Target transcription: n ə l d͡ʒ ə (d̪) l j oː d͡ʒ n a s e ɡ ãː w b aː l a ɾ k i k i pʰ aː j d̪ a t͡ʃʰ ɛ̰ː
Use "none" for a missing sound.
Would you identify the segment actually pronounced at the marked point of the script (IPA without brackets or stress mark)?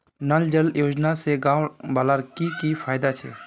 none